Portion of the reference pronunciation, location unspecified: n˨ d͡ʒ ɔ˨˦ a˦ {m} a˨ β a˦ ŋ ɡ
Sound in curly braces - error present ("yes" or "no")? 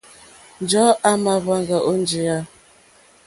no